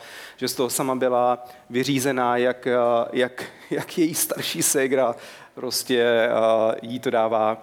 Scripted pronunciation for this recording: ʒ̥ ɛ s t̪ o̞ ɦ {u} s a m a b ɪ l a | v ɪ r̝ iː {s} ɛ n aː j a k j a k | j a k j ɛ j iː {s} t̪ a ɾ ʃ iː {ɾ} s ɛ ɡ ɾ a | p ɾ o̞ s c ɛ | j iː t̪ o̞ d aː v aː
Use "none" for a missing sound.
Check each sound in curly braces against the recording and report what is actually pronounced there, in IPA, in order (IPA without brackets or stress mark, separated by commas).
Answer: o, z, s, none